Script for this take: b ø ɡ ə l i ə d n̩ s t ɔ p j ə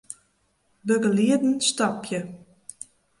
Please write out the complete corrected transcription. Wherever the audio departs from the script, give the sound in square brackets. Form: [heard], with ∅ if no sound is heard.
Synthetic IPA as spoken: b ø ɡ ə l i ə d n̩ s t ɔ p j ə